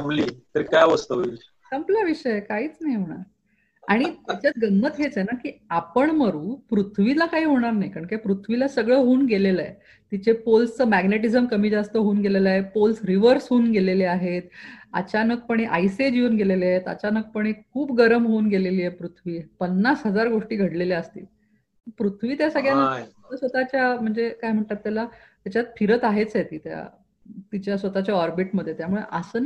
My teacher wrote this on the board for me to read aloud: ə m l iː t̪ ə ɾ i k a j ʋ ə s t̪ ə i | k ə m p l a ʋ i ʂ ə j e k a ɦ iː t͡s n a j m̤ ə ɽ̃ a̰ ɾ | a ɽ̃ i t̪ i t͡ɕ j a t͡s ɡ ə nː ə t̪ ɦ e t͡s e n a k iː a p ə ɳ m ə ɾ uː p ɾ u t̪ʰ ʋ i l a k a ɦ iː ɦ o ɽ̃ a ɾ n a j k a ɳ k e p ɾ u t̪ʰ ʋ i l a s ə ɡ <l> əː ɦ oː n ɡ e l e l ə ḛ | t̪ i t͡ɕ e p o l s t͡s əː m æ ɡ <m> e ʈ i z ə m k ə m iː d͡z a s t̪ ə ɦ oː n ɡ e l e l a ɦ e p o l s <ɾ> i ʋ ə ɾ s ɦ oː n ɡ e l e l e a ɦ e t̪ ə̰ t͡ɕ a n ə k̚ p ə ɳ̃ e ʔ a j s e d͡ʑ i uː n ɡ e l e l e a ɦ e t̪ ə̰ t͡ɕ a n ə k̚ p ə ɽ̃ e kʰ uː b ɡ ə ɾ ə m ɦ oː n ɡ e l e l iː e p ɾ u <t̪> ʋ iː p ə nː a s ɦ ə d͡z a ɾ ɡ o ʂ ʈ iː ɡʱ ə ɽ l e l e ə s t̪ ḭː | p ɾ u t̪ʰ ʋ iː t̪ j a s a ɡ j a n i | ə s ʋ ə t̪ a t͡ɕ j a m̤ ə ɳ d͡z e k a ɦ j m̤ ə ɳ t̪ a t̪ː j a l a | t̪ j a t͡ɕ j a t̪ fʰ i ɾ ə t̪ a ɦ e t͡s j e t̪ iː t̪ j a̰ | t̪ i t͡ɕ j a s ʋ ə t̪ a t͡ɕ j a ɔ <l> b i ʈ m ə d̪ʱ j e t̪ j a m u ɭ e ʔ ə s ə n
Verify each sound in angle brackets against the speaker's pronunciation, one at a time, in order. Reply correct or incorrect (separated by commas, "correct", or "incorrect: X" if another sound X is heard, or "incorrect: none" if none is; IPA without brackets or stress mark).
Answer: incorrect: ɭ, incorrect: n, correct, incorrect: t̪ʰ, incorrect: ɾ